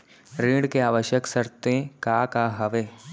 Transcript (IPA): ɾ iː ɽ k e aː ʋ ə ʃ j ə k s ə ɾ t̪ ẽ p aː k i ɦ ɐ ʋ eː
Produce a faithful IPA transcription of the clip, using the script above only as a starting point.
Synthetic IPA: ɾ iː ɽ k e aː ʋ ə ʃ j ə k s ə ɾ t̪ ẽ k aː k a ɦ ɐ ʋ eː